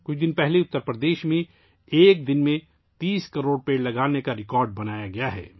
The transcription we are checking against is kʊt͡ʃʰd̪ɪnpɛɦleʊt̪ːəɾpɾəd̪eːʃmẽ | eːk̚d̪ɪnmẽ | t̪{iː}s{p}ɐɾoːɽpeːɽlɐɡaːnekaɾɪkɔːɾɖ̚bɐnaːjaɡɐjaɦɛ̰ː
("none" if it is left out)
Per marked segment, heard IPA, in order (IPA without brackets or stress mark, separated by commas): iː, k